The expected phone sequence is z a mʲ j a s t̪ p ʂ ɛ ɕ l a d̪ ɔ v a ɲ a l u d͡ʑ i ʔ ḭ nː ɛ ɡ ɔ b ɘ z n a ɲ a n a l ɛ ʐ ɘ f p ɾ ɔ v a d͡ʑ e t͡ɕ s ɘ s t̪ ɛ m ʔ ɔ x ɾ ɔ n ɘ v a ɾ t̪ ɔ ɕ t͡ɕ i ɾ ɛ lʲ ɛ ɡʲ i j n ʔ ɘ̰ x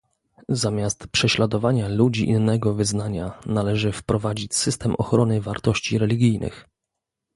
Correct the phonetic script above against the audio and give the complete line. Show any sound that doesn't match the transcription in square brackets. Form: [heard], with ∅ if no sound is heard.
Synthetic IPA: z a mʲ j a s t̪ p ʂ ɛ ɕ l a d̪ ɔ v a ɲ a l u d͡ʑ i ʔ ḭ nː ɛ ɡ ɔ [v] ɘ z n a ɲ a n a l ɛ ʐ ɘ f p ɾ ɔ v a d͡ʑ [i] t͡ɕ s ɘ s t̪ ɛ m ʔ ɔ x ɾ ɔ n ɘ v a ɾ t̪ ɔ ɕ t͡ɕ i ɾ ɛ lʲ [i] ɡʲ i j n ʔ ɘ̰ x